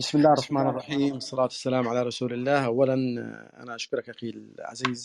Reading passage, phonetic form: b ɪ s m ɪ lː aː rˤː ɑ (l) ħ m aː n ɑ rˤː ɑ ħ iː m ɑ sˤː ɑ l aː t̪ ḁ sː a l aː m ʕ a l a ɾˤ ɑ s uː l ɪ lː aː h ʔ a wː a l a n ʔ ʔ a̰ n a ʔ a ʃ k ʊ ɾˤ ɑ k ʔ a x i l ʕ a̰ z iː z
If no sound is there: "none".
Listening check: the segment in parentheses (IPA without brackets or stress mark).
none